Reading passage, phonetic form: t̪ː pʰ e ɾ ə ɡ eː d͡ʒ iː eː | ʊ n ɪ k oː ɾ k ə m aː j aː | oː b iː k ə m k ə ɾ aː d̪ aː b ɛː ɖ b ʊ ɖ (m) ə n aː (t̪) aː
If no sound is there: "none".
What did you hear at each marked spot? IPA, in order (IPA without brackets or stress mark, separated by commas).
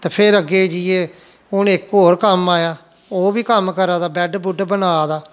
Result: b, d̪